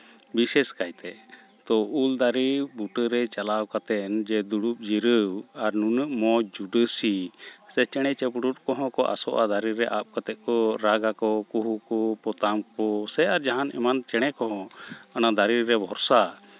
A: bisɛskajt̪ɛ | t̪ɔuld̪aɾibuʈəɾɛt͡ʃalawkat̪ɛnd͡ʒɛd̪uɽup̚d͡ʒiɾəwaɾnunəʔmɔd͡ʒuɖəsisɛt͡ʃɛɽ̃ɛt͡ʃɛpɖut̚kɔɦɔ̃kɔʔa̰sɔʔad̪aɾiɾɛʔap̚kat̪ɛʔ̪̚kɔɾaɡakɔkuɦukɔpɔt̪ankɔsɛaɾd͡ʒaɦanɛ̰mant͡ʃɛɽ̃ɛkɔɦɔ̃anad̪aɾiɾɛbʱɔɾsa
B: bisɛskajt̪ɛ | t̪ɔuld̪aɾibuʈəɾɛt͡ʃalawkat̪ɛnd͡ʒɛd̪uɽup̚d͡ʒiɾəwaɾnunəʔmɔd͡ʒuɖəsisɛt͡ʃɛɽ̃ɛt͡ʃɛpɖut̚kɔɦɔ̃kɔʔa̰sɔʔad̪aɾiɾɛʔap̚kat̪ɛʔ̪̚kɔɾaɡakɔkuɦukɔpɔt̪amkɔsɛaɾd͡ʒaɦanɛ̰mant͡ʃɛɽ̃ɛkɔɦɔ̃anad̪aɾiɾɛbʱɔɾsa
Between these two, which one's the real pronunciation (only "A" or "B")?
B